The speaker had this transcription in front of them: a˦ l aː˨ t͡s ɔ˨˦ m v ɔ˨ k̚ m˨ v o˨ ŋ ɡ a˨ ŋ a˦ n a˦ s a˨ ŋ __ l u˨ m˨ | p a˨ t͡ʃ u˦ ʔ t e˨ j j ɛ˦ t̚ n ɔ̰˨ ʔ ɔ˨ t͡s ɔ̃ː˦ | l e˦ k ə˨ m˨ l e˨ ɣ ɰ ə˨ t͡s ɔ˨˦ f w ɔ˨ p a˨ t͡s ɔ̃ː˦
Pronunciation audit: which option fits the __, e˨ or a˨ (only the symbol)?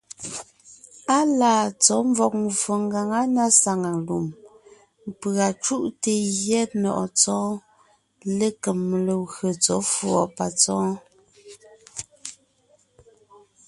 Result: a˨